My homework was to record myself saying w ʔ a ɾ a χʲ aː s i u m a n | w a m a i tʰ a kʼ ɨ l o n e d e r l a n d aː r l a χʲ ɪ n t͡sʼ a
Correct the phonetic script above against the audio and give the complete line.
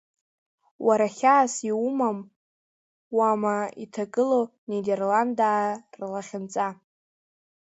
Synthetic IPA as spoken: w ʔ a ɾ a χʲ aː s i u m a m | w a m a i tʰ a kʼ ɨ l o n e d e r l a n d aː r l a χʲ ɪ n t͡sʼ a